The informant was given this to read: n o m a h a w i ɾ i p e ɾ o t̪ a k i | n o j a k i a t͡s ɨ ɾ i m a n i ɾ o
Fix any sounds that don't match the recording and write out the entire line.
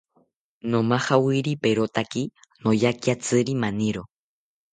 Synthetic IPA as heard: n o m a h a w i ɾ i p e ɾ o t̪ a k i | n o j a k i a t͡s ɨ ɾ i m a n i ɾ o